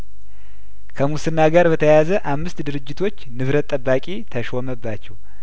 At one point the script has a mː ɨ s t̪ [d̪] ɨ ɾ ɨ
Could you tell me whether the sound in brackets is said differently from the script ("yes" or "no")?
no